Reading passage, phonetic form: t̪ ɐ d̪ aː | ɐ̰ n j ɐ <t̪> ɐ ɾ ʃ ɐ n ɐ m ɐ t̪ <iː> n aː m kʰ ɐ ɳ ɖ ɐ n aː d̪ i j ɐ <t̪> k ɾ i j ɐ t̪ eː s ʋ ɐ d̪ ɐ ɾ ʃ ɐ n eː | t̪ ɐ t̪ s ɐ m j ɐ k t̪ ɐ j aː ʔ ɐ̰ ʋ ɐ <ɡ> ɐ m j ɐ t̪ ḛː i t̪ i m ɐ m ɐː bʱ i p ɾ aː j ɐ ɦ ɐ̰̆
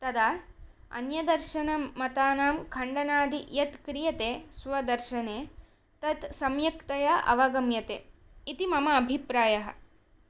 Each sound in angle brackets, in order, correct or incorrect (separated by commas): incorrect, incorrect, correct, correct